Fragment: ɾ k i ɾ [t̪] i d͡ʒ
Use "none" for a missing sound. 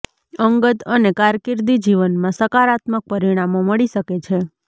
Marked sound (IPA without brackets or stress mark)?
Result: d̪